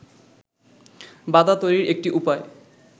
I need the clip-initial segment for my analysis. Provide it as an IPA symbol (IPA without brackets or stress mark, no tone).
b